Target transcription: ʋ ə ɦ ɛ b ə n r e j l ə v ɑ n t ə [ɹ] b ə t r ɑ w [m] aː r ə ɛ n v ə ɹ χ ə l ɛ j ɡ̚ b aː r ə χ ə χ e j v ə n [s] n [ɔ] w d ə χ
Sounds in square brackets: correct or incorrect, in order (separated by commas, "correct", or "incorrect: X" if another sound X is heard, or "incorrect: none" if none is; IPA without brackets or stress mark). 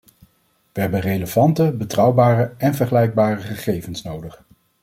incorrect: none, incorrect: b, correct, incorrect: o